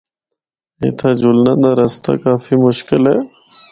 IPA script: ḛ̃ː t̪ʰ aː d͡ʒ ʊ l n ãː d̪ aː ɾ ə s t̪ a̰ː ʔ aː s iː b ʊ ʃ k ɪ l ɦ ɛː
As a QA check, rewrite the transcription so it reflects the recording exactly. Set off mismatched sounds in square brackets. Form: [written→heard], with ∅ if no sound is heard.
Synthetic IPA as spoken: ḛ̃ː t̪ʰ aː d͡ʒ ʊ l n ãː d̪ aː ɾ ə s t̪ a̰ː [ʔ→k] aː [s→f] iː [b→m] ʊ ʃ k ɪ l ɦ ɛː